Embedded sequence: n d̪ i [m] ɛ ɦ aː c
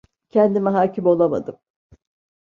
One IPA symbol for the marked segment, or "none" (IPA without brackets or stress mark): m